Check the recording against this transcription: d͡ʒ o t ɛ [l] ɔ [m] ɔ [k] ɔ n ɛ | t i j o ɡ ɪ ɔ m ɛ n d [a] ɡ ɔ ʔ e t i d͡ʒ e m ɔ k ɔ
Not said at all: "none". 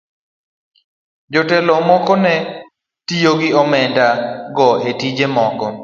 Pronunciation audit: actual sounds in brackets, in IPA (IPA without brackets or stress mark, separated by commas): l, m, k, a